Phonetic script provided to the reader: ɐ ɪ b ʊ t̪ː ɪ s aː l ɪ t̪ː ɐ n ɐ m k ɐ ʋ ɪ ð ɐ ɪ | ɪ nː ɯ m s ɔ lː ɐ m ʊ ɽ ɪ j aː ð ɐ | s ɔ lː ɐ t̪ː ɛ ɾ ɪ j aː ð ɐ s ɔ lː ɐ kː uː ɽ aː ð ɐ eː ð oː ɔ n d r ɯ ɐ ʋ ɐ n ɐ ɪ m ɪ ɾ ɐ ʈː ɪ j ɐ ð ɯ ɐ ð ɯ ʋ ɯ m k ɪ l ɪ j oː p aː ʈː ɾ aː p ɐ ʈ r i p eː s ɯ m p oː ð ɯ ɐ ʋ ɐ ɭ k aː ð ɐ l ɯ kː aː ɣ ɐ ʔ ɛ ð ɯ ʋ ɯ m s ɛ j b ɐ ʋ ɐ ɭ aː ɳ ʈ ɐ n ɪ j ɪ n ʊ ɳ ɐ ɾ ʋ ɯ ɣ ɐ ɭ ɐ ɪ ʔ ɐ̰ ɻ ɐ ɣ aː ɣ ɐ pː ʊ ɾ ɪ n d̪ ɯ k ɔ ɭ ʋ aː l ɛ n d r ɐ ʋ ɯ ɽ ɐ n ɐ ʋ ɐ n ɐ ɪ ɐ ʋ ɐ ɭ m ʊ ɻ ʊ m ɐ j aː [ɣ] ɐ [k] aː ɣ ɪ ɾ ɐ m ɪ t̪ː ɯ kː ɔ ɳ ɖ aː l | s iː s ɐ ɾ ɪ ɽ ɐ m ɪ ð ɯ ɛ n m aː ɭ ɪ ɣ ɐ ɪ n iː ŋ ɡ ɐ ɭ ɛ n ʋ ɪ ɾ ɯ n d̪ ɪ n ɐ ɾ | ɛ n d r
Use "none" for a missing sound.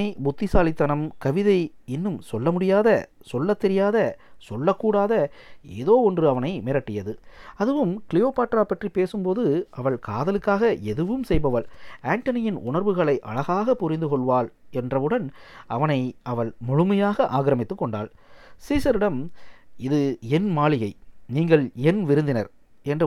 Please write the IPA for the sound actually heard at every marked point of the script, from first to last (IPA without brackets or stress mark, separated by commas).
ɣ, ʔ